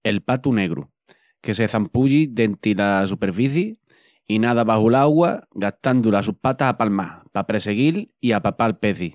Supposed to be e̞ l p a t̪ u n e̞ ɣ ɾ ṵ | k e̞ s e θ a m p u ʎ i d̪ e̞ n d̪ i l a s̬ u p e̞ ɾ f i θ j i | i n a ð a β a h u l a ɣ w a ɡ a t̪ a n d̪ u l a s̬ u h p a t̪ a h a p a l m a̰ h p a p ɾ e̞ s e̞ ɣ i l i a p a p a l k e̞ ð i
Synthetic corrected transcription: e̞ l p a t̪ u n e̞ ɣ ɾ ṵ | k e̞ s e θ a m p u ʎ i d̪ e̞ n t̪ i l a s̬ u p e̞ ɾ f i θ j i | i n a ð a β a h u l a ɣ w a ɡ a t̪ a n d̪ u l a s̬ u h p a t̪ a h a p a l m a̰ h p a p ɾ e̞ s e̞ ɣ i l i a p a p a l p e̞ θ i